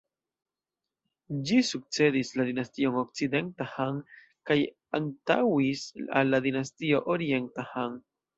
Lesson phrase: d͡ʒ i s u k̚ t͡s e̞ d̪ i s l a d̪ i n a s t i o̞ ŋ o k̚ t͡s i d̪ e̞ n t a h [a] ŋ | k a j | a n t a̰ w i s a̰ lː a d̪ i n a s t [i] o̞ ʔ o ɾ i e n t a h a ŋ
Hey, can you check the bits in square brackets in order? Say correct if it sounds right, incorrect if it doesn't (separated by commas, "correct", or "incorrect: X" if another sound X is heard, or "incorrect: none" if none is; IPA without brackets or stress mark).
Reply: correct, correct